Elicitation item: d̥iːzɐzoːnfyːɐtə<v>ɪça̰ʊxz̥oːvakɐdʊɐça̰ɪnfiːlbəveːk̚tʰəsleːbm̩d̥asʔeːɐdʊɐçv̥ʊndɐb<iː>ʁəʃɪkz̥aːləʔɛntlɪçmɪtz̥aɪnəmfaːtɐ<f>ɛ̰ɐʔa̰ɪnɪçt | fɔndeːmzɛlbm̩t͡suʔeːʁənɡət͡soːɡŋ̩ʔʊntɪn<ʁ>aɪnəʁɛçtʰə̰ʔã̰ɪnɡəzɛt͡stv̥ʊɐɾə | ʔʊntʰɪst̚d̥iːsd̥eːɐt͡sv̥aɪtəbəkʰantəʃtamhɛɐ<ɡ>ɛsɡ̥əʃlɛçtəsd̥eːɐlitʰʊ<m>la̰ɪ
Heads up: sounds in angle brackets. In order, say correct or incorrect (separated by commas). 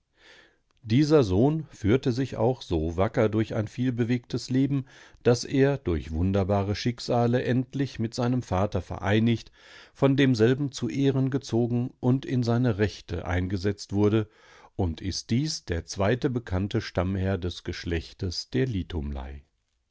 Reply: incorrect, incorrect, correct, incorrect, incorrect, correct